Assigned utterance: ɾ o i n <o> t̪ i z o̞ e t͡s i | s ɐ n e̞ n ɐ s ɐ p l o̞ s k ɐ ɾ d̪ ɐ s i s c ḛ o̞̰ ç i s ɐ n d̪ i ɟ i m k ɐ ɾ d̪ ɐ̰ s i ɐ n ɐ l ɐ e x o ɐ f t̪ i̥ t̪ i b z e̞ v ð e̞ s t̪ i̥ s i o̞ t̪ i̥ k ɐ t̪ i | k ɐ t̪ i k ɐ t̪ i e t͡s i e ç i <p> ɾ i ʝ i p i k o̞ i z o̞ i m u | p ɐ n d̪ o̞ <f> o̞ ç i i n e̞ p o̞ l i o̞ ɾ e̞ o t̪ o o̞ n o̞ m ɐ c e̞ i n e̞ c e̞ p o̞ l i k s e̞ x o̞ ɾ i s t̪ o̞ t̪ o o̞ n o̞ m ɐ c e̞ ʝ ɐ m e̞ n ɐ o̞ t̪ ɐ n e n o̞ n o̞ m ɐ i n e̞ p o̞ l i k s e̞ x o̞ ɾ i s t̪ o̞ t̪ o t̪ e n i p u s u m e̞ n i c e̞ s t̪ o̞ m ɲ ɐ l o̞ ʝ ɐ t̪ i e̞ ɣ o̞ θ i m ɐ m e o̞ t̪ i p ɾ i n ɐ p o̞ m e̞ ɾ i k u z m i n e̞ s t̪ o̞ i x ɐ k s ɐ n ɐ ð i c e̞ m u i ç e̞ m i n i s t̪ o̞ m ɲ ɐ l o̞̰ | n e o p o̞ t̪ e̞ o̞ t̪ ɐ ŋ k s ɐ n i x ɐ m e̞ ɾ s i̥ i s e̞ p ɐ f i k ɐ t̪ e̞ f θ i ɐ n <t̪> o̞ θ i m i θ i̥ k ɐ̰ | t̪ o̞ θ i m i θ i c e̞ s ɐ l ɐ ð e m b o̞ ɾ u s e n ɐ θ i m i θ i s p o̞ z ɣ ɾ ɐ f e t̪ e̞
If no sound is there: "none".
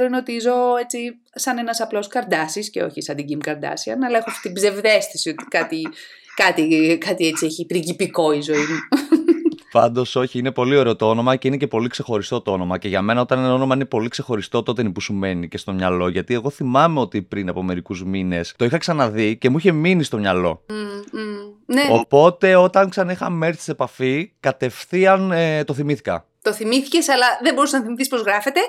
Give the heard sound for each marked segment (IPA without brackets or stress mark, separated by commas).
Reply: o, p, s, t̪